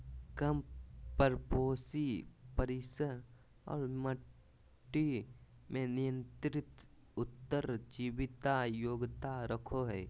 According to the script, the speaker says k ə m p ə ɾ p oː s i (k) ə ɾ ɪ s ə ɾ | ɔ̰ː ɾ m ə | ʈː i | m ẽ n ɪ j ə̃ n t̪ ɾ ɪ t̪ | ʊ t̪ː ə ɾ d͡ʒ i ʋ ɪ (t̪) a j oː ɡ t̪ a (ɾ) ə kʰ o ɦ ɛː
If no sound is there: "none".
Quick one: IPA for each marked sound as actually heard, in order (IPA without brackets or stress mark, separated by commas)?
p, t̪, ɾ